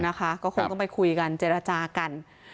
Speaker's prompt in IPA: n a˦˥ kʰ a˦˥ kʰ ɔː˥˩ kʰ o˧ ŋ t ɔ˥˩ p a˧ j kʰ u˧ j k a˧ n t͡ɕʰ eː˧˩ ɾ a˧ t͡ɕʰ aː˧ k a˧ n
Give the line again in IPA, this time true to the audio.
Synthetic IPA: n a˦˥ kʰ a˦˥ k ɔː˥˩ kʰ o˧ ŋ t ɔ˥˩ p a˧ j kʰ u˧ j k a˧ n t͡ɕ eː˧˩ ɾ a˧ t͡ɕ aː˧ k a˧ n